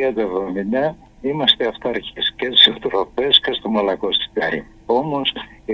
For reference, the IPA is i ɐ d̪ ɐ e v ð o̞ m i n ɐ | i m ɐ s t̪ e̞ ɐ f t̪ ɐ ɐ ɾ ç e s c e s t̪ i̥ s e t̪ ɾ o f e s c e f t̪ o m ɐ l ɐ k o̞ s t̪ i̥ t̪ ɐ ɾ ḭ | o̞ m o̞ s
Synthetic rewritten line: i ɐ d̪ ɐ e v ð o̞ m i n ɐ | i m ɐ s t̪ e̞ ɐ f t̪ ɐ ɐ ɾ ç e s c e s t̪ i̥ s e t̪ ɾ o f e s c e s t̪ o m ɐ l ɐ k o̞ s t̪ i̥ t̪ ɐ ɾ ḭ | o̞ m o̞ s